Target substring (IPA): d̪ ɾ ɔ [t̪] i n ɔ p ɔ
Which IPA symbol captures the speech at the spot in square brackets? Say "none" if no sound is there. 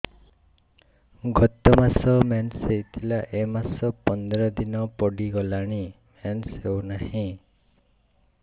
d̪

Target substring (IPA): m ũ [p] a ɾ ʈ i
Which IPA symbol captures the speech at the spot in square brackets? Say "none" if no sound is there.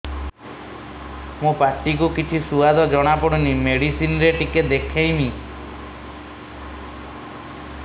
p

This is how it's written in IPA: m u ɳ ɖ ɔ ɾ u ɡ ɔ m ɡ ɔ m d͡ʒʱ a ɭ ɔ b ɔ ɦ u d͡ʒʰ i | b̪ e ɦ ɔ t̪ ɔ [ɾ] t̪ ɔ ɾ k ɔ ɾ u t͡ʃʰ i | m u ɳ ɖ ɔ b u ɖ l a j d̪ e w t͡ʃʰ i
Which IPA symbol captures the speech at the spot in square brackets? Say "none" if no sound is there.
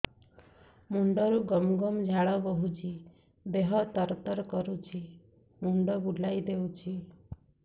ɾ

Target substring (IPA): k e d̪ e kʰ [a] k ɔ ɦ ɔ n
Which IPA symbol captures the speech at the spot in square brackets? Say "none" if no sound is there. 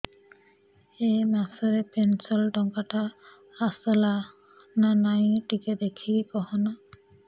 i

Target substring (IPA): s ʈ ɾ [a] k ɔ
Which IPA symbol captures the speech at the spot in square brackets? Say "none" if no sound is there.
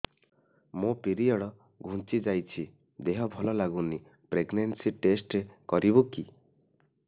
e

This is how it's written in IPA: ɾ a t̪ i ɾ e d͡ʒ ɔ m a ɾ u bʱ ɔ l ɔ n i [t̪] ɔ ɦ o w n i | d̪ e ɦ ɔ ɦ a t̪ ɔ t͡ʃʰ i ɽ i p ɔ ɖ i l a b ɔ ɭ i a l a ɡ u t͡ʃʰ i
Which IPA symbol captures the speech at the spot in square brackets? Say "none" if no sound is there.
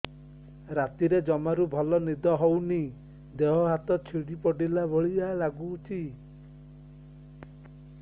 d̪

